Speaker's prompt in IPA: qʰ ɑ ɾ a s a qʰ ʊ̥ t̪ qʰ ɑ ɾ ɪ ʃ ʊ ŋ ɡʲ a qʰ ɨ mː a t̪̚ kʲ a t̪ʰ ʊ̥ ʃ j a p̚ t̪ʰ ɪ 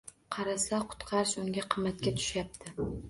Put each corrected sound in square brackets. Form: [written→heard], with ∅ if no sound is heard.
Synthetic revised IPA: qʰ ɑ ɾ a s a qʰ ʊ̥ t̪ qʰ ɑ ɾ ɪ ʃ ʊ ŋ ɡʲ a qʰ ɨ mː a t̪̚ kʲ a t̪ʰ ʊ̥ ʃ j a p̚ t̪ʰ ɪ